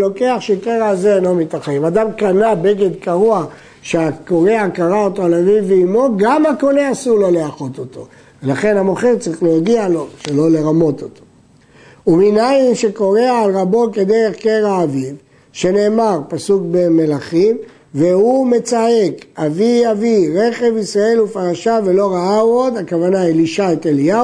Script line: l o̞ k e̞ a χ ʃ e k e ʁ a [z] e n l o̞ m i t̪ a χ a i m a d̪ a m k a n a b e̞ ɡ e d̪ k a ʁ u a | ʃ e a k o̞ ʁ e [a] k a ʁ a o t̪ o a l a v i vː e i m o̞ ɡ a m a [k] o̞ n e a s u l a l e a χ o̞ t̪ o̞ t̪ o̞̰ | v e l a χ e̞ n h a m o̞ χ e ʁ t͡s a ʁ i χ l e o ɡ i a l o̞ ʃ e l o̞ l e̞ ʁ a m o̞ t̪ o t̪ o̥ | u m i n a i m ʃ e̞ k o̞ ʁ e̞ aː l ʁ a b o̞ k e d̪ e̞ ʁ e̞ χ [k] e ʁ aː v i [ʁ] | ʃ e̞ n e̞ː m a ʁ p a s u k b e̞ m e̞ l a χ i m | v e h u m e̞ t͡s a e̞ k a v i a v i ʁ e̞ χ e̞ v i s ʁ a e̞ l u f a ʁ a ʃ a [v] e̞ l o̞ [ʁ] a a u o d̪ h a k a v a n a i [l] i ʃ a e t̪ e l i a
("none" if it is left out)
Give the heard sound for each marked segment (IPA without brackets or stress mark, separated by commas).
z, a, k, k, v, v, ʁ, l